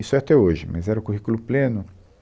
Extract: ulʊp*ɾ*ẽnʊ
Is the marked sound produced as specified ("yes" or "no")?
no